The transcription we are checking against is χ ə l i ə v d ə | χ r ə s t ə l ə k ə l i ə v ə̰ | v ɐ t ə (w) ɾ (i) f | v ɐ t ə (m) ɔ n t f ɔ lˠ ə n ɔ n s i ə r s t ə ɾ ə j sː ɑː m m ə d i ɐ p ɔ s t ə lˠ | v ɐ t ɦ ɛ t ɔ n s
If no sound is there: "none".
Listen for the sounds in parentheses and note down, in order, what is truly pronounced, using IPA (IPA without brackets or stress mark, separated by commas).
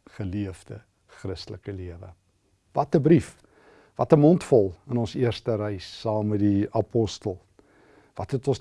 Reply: b, i, m